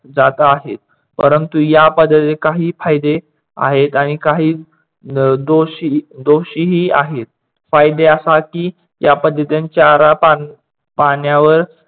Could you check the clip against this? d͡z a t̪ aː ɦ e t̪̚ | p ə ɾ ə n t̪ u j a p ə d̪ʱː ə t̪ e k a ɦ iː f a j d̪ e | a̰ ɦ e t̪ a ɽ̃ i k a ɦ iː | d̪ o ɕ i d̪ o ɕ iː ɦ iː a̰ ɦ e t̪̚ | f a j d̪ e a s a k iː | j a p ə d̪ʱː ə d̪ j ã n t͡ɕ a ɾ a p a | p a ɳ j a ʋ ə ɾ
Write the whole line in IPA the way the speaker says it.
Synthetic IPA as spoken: d͡z a t̪ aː ɦ e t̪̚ | p ə ɾ ə n t̪ u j a p ə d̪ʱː ə t̪ e k a ɦ iː f a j d̪ e | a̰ ɦ e t̪ a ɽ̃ i k a ɦ iː | d̪ o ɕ i d̪ o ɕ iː ɦ iː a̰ ɦ e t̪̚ | f a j d̪ e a s a k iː | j a p ə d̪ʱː ə t̪ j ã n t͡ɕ a ɾ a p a | p a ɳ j a ʋ ə ɾ